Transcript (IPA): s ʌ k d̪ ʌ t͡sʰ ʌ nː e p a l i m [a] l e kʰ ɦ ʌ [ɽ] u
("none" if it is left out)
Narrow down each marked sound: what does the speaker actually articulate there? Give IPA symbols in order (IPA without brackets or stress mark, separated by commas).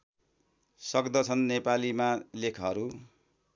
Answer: a, ɾ